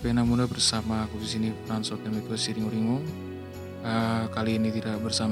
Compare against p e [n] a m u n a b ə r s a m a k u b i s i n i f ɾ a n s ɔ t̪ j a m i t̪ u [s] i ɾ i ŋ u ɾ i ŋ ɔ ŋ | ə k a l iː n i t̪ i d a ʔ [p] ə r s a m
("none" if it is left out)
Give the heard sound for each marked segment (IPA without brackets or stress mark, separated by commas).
n, s, b